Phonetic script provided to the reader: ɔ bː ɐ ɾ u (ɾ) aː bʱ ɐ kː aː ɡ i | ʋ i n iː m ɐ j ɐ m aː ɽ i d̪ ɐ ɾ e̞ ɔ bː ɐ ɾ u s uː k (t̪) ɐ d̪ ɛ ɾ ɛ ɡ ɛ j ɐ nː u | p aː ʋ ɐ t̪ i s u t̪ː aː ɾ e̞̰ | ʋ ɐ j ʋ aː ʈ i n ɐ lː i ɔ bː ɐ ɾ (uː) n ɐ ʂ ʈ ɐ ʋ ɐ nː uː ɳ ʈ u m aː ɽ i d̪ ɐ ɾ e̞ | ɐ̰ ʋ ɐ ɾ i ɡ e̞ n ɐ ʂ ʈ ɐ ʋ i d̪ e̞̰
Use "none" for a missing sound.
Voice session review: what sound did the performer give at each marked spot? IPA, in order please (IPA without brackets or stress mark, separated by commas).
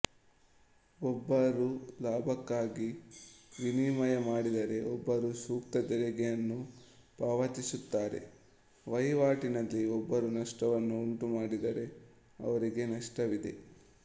l, t̪, u